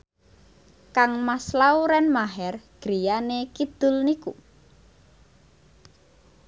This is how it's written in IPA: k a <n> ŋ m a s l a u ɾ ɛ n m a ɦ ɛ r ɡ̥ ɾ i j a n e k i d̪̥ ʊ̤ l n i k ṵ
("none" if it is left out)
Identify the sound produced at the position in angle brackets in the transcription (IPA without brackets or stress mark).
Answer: none